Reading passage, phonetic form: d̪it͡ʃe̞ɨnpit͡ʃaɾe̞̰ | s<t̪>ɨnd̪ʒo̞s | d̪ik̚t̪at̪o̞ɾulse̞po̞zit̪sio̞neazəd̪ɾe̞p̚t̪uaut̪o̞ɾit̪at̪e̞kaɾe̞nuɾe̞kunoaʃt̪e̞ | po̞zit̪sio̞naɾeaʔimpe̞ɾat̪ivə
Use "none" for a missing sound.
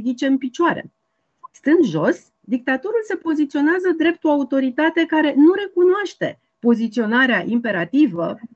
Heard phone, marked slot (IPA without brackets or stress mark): t̪